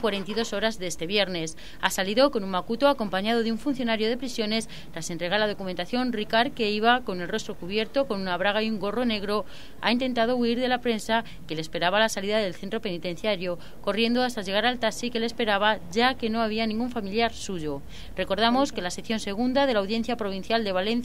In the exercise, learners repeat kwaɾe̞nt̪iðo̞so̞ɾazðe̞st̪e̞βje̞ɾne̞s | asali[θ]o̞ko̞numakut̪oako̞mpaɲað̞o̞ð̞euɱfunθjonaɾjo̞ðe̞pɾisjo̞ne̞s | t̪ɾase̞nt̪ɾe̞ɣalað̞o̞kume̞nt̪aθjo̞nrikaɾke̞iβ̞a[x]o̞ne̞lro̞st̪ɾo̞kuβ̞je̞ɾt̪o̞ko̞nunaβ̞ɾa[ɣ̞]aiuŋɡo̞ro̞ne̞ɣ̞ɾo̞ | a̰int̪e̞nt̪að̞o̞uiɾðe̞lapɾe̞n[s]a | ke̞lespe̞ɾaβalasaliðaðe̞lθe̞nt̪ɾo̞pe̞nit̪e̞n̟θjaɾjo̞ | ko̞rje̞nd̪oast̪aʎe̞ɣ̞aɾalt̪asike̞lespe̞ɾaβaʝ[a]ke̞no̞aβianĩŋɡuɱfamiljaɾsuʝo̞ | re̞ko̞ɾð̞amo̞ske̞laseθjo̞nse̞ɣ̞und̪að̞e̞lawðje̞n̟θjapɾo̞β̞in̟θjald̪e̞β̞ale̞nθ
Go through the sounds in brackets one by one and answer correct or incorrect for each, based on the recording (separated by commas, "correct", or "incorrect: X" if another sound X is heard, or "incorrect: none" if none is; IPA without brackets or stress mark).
incorrect: ð, incorrect: k, correct, correct, correct